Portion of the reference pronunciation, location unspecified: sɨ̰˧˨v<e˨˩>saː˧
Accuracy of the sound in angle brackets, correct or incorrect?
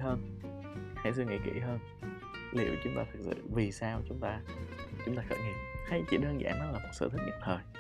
incorrect